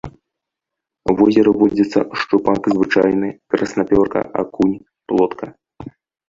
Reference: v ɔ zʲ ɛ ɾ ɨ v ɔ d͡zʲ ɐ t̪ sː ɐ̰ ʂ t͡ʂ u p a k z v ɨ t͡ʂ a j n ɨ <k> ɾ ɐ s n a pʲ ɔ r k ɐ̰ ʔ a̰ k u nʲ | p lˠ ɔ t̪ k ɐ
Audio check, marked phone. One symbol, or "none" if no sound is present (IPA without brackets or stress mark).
k